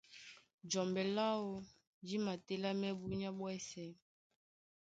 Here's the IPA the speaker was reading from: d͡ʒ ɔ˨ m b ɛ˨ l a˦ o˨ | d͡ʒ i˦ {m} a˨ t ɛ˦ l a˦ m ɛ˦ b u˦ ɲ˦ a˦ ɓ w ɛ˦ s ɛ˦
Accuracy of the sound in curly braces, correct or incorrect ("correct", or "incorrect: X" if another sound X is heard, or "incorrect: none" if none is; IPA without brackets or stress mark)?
correct